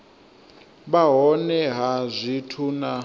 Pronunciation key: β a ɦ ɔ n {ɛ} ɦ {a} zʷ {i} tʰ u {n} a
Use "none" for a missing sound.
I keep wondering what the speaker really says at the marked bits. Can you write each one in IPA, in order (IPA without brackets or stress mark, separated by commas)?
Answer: ɛ, a, i, n